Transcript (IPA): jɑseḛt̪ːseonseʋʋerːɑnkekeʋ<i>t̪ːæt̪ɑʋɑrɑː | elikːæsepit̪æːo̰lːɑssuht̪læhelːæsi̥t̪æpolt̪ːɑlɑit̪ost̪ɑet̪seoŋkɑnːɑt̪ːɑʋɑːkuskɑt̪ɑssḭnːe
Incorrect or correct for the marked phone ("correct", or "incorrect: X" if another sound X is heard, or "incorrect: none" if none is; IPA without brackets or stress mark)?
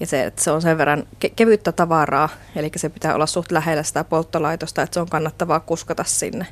incorrect: y